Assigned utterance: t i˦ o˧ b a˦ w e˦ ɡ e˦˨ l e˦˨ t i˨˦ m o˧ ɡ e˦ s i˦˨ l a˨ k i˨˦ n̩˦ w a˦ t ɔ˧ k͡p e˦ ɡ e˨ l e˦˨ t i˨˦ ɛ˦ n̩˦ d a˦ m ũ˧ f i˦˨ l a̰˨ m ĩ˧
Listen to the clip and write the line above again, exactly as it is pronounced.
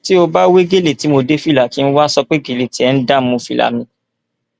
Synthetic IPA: t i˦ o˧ b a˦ w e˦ ɡ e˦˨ l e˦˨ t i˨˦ m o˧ d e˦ f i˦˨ l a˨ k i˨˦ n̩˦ w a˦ s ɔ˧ k͡p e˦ ɡ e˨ l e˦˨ t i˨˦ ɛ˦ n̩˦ d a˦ m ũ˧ f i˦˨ l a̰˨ m ĩ˧

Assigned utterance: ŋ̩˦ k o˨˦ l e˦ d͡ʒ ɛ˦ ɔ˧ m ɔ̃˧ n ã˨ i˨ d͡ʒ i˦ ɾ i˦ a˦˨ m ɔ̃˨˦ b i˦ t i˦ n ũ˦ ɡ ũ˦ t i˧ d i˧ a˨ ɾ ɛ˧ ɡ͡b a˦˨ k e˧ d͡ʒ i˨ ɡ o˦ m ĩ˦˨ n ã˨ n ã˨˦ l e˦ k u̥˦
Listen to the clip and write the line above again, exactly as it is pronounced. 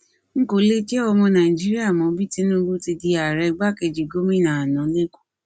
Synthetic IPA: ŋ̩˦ k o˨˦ l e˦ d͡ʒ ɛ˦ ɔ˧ m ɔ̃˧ n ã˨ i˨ d͡ʒ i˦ ɾ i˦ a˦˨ m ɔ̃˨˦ b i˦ t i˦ n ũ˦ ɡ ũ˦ t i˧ d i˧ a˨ ɾ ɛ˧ ɡ͡b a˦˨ k e˧ d͡ʒ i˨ ɡ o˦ m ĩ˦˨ n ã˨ n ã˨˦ l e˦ k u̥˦

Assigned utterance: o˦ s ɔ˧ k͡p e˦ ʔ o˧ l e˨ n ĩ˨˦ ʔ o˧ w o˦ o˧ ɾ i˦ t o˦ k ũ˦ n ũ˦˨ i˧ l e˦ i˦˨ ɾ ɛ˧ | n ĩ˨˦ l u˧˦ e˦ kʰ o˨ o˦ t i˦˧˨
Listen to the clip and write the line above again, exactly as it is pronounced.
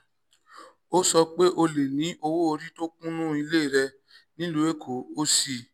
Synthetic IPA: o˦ s ɔ˧ k͡p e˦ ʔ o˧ l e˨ n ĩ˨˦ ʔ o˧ w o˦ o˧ ɾ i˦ t o˦ k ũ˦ n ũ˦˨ i˧ l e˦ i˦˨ ɾ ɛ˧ | n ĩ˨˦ l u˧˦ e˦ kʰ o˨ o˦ s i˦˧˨

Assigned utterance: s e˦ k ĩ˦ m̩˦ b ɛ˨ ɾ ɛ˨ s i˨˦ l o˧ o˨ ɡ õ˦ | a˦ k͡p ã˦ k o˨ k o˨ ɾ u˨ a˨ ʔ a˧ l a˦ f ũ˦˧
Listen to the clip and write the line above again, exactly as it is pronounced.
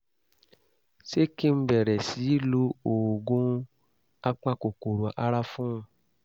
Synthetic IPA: s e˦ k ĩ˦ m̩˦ b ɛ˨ ɾ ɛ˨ s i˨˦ l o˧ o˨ ɡ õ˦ | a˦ k͡p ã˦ k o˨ k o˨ ɾ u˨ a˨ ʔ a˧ ɾ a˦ f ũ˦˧

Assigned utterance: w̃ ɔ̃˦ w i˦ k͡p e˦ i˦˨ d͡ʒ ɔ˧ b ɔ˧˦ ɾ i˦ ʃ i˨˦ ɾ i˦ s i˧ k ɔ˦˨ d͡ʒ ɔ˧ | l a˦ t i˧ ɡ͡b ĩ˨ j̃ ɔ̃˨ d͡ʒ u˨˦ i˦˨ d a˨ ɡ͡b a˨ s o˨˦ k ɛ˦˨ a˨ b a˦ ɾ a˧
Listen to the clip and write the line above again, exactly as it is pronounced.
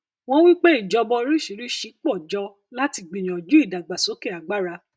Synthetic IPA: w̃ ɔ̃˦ w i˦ k͡p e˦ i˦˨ d͡ʒ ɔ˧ b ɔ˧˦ ɾ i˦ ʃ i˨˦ ɾ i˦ ʃ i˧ k͡p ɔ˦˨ d͡ʒ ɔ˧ | l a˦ t i˧ ɡ͡b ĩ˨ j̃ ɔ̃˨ d͡ʒ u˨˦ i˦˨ d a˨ ɡ͡b a˨ s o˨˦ k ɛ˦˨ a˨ ɡ͡b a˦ ɾ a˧

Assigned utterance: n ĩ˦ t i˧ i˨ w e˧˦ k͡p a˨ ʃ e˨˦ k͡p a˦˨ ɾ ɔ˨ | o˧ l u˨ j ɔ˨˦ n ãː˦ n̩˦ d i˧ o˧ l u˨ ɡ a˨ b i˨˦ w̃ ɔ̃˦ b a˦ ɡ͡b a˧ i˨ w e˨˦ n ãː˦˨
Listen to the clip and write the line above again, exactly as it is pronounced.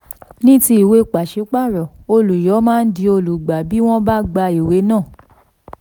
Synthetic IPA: n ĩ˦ t i˧ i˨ w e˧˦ k͡p a˨ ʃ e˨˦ k͡p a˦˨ ɾ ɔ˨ | o˧ l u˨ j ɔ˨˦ m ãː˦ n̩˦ d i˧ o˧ l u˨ ɡ͡b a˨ b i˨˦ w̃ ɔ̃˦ b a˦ ɡ͡b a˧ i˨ w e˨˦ n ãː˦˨

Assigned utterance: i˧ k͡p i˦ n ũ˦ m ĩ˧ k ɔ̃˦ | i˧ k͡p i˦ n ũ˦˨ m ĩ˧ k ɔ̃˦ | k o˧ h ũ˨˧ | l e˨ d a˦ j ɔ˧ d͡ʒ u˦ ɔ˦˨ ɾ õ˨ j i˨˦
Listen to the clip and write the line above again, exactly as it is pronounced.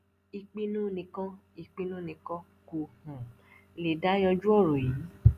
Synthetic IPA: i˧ k͡p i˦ n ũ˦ n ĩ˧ k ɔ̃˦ | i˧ k͡p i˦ n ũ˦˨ n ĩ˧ k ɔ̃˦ | k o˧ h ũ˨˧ | l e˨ d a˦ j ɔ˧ d͡ʒ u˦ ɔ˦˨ ɾ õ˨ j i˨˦

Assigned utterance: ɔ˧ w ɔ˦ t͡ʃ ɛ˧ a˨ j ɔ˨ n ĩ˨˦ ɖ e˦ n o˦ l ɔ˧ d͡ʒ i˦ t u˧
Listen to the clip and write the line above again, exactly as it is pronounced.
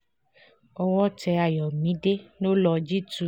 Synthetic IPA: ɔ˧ w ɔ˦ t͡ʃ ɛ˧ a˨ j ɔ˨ m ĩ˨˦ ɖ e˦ n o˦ l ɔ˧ d͡ʒ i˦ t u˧

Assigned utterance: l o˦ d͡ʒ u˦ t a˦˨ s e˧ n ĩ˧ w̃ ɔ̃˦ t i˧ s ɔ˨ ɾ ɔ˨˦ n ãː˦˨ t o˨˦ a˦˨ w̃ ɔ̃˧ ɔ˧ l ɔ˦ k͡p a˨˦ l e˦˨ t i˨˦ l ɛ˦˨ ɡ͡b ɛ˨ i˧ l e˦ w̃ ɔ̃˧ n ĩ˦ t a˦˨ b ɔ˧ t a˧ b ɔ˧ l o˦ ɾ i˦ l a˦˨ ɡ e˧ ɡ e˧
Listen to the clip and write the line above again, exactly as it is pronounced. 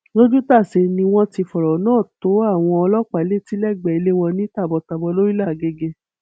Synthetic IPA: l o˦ d͡ʒ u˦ t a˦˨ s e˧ n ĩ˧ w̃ ɔ̃˦ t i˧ f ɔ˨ ɾ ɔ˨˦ n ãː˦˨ t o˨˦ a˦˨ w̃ ɔ̃˧ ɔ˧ l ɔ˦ k͡p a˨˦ l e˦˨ t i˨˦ l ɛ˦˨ ɡ͡b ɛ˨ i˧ l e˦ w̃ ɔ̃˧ n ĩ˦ t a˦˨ b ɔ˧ t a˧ b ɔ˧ l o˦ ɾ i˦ l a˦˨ ɡ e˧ ɡ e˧

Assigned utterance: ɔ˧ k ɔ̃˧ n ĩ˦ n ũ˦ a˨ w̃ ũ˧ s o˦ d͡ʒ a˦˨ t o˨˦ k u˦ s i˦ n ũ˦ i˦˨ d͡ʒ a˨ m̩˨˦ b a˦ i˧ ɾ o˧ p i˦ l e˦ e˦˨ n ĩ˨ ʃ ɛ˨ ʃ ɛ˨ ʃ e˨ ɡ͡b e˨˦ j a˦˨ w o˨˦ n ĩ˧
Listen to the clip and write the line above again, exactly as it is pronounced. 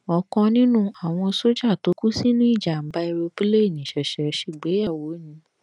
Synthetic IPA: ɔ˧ k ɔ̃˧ n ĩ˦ n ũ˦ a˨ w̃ ɔ̃˧ s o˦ d͡ʒ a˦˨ t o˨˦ k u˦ s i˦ n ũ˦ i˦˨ d͡ʒ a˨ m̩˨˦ b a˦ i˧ ɾ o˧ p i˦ l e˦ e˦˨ n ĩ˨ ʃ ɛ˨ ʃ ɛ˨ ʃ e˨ ɡ͡b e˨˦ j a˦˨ w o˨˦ n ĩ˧

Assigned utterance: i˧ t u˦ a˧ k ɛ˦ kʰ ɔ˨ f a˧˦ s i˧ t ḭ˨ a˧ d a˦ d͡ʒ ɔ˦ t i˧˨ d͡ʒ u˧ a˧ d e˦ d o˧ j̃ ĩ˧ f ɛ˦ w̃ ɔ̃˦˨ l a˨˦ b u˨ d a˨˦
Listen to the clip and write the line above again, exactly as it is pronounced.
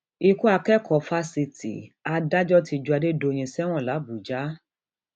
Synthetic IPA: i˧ k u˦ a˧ k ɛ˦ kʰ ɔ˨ f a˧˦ s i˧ t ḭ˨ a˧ d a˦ d͡ʒ ɔ˦ t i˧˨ d͡ʒ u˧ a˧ d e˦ d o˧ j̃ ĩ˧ s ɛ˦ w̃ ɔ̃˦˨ l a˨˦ b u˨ d͡ʒ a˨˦

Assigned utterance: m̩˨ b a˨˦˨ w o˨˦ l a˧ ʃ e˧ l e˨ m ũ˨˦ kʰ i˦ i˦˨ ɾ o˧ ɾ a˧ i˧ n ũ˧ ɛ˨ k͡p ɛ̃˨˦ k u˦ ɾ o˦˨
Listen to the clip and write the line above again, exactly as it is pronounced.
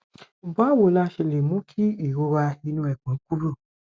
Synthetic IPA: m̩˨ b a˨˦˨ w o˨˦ l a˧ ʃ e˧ l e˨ m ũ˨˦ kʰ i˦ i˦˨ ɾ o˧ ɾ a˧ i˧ n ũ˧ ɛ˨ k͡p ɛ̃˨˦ k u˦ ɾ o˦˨

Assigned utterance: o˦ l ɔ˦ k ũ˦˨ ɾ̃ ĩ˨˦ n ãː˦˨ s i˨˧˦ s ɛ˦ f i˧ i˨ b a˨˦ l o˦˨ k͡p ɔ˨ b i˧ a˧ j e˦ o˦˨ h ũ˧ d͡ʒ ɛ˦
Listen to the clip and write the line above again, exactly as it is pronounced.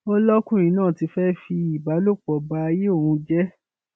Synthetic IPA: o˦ l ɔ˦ k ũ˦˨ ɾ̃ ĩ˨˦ n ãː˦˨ t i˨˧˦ f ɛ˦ f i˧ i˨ b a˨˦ l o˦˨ k͡p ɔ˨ b a˧ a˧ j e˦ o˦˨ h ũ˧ d͡ʒ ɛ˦

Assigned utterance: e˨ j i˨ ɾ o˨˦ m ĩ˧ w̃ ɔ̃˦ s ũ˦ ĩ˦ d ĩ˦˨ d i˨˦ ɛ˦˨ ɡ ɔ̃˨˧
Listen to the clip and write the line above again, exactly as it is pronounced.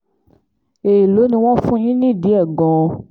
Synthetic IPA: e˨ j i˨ l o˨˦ n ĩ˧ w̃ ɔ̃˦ f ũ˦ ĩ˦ n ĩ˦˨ d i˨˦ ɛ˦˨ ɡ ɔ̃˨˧

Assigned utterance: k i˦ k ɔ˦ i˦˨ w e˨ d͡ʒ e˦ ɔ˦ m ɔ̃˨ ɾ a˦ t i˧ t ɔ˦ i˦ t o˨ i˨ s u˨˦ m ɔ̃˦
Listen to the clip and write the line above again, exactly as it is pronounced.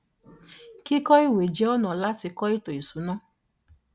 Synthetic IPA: k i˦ k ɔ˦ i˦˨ w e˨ d͡ʒ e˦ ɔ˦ n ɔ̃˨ l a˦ t i˧ k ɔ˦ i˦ t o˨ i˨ s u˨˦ n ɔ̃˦

